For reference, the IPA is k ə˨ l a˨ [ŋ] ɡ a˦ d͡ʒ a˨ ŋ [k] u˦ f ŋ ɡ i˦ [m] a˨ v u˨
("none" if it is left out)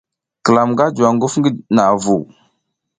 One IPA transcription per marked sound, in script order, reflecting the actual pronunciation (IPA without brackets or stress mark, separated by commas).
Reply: m, ɡ, n